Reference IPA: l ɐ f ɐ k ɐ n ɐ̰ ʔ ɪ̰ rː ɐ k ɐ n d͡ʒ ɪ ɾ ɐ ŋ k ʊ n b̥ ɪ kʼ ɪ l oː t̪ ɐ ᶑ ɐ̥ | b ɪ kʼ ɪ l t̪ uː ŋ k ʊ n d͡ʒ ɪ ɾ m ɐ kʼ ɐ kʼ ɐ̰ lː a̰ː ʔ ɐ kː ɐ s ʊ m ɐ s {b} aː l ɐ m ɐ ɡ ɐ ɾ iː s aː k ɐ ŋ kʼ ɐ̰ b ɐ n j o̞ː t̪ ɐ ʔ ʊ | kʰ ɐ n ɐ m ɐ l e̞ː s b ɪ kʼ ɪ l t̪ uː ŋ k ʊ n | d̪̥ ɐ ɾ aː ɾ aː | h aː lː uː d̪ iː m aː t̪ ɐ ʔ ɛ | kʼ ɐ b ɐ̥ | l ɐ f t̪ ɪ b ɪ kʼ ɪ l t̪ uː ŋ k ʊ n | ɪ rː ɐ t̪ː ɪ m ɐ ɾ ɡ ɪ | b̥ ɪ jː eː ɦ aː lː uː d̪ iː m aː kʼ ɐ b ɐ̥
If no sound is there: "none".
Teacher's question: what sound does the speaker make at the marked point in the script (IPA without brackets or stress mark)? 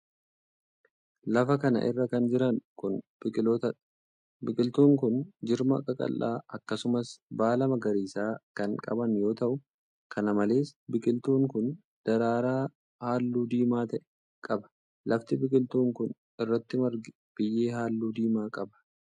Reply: b